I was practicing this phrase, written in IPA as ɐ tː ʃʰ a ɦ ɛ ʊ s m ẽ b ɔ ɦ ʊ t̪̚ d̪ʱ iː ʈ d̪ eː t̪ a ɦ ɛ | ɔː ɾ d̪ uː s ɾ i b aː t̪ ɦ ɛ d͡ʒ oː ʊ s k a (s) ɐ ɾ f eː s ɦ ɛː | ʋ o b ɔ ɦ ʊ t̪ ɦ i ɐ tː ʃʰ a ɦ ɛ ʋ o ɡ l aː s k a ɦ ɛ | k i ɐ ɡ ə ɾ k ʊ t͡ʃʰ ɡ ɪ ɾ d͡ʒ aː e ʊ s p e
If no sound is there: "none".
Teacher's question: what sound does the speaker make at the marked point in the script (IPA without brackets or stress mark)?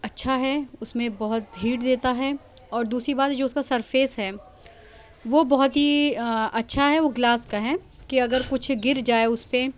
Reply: s